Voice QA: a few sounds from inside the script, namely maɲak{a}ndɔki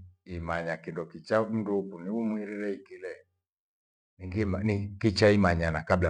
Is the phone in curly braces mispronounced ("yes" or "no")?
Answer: yes